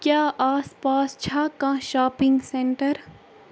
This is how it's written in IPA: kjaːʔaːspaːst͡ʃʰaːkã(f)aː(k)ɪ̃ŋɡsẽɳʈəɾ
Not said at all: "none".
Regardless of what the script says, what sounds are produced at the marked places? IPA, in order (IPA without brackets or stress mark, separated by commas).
ʃ, p